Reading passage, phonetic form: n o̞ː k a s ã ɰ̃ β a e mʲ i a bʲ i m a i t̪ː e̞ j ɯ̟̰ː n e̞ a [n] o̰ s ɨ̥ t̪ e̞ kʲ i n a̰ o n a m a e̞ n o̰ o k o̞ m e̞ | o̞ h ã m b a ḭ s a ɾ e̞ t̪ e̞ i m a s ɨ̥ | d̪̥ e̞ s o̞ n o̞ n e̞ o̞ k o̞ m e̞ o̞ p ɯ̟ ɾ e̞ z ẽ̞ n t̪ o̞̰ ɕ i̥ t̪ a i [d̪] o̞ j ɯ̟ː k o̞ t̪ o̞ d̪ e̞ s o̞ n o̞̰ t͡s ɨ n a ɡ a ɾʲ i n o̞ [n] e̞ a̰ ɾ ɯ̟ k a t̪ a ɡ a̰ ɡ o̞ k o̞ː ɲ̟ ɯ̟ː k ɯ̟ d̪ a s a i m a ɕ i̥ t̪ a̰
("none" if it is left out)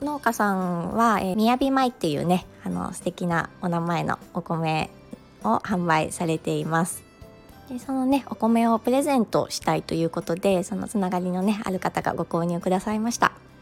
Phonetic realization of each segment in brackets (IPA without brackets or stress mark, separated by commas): n, t̪, n